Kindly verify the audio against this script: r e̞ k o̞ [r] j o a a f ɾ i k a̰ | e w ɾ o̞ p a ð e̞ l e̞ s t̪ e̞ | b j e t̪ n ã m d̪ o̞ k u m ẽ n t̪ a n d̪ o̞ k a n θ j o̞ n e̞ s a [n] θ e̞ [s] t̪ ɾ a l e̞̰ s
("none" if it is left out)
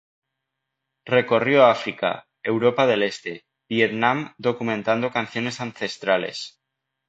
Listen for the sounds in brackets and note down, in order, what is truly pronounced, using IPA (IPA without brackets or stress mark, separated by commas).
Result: r, n, s